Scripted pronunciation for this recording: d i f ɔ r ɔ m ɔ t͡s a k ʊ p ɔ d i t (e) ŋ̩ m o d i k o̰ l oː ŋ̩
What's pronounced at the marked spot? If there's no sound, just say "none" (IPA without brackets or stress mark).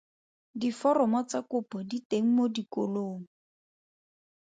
e